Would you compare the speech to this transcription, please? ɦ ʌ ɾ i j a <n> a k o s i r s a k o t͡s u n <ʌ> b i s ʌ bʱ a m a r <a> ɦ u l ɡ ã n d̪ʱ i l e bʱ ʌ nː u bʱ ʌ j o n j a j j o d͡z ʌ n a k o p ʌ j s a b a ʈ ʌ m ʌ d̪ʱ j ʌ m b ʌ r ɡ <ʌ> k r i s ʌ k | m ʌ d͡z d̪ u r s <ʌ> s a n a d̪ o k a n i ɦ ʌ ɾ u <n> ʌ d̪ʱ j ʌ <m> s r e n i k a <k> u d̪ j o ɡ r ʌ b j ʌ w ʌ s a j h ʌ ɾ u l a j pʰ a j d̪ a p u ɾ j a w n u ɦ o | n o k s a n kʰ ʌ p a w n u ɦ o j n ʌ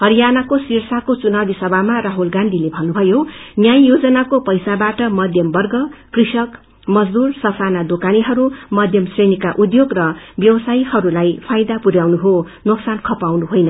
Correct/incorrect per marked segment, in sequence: correct, incorrect: a, correct, correct, correct, incorrect: m, correct, incorrect: ʔ

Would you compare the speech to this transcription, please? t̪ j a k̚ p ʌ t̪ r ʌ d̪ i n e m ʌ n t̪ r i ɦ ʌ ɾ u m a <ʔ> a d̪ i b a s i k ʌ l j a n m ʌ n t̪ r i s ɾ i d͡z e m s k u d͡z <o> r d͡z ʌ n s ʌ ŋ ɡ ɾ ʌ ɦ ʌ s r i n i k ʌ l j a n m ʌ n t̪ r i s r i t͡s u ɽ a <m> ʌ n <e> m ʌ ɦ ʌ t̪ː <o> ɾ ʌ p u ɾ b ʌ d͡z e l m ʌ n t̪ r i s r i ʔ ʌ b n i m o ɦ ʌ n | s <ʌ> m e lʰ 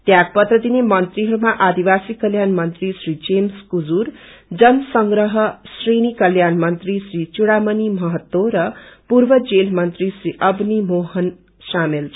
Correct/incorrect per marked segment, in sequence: correct, incorrect: u, correct, incorrect: i, correct, incorrect: a

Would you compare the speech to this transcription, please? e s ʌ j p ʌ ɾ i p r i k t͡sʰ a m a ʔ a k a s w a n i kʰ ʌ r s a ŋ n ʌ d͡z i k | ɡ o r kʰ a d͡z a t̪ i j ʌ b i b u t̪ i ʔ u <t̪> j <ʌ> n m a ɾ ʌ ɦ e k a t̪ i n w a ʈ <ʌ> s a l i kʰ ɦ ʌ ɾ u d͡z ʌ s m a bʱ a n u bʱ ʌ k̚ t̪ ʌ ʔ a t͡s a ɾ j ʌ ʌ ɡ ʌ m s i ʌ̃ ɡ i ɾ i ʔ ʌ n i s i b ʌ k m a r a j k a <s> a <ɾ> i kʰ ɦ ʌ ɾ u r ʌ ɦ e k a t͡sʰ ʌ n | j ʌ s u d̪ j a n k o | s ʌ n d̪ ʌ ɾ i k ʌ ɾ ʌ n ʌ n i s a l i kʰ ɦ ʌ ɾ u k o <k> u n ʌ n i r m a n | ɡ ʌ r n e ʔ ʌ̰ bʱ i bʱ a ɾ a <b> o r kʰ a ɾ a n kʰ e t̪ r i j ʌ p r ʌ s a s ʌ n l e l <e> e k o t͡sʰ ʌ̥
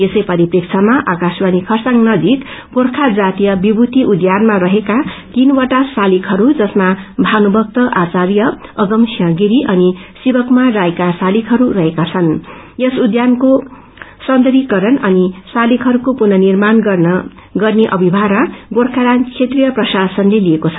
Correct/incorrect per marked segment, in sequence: incorrect: d̪, incorrect: a, incorrect: a, correct, incorrect: l, incorrect: p, incorrect: ɡ, incorrect: i

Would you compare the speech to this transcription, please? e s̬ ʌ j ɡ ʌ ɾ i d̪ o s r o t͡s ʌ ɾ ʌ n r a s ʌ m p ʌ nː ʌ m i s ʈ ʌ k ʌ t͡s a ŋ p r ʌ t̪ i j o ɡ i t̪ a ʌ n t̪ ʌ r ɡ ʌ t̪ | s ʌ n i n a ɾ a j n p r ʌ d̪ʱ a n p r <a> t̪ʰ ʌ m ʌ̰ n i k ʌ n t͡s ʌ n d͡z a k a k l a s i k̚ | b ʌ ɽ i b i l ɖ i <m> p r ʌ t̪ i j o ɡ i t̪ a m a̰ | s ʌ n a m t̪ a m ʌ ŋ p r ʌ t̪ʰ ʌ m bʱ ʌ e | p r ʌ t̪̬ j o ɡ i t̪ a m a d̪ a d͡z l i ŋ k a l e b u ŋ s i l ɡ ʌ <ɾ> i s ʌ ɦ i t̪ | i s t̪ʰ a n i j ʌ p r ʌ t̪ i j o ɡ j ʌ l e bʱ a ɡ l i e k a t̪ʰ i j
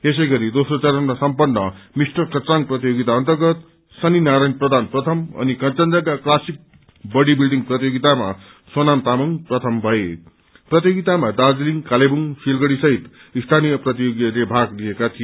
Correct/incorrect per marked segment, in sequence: incorrect: ʌ, incorrect: ŋ, incorrect: ɽ

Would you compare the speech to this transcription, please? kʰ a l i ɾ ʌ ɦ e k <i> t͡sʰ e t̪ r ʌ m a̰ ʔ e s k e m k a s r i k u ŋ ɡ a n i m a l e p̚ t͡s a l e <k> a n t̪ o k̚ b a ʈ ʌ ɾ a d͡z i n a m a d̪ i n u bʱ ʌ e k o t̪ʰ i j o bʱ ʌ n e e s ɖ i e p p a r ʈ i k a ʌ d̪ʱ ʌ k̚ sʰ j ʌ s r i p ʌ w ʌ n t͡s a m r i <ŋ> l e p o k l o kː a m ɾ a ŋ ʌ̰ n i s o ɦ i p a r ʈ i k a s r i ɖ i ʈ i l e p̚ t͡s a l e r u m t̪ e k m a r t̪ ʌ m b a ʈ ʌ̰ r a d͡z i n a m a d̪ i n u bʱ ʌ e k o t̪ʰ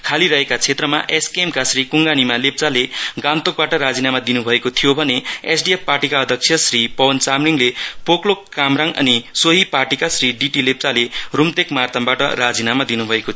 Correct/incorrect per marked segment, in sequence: incorrect: a, incorrect: ɡ, correct

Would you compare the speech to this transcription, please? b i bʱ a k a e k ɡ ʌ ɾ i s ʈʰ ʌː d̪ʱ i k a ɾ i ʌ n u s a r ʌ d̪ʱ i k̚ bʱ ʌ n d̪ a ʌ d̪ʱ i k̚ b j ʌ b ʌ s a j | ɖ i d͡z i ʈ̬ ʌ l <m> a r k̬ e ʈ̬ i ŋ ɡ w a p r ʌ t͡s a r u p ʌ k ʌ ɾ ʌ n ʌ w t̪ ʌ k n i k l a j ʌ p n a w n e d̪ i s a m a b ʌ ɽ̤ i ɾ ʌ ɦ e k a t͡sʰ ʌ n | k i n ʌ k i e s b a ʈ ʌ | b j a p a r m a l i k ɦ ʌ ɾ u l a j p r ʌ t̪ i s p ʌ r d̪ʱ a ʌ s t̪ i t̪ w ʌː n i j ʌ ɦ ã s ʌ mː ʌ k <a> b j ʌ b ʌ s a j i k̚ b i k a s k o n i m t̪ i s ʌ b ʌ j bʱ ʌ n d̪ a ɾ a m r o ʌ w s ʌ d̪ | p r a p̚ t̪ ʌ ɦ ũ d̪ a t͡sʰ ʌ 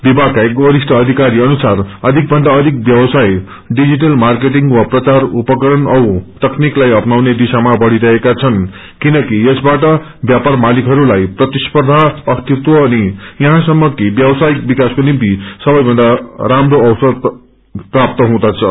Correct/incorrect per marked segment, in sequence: correct, incorrect: i

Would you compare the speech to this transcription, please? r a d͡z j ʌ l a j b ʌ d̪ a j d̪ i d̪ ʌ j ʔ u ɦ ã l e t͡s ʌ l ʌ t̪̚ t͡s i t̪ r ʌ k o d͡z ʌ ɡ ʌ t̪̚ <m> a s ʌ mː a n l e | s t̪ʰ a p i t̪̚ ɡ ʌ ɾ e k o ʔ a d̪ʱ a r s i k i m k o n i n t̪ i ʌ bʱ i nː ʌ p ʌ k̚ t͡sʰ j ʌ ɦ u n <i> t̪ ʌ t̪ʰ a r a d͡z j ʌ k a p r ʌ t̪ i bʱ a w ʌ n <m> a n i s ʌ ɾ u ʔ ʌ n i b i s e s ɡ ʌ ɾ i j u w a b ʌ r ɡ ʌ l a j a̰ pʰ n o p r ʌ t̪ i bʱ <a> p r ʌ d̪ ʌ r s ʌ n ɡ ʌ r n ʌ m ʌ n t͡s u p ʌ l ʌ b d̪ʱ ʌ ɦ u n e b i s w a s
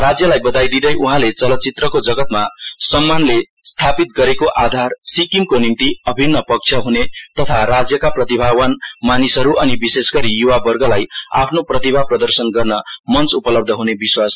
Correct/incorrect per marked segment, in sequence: correct, incorrect: e, correct, correct

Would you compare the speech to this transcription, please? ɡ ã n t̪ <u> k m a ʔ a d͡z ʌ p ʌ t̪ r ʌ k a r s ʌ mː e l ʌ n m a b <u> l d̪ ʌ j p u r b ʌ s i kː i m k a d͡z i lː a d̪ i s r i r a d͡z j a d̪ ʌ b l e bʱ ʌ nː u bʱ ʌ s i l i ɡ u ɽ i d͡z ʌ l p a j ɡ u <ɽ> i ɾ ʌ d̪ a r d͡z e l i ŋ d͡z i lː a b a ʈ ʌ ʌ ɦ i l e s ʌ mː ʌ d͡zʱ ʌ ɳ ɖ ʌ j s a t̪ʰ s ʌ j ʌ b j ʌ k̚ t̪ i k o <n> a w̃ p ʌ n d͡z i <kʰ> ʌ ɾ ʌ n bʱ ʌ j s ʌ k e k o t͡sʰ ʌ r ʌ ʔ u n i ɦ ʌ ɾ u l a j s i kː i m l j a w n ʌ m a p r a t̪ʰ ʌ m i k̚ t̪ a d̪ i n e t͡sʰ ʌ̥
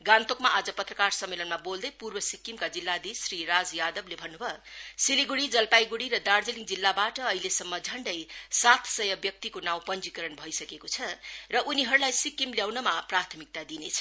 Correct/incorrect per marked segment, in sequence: incorrect: o, incorrect: o, correct, correct, incorrect: k

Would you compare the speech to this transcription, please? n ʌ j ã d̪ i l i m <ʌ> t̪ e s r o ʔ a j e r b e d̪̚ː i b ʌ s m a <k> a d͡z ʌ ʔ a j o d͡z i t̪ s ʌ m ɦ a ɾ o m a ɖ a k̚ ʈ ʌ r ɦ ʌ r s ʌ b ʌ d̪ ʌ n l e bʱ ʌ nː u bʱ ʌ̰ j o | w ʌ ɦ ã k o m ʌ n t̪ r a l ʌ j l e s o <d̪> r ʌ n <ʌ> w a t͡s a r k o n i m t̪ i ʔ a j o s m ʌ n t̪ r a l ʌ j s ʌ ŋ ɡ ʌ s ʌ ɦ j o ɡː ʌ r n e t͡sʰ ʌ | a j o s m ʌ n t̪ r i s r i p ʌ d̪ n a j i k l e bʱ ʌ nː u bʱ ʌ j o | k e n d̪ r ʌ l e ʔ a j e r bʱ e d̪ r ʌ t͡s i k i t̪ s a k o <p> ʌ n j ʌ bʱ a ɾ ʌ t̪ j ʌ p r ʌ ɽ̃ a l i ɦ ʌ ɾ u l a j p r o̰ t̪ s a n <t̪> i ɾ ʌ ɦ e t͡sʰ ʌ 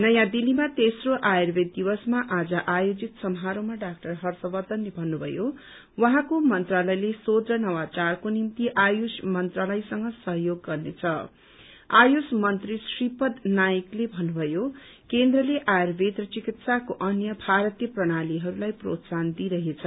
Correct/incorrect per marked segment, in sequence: incorrect: a, incorrect: ʔ, correct, correct, incorrect: ʔ, incorrect: d̪

